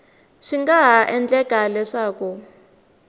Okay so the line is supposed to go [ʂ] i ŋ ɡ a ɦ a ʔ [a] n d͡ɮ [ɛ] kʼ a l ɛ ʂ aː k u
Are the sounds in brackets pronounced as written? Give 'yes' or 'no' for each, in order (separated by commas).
yes, no, yes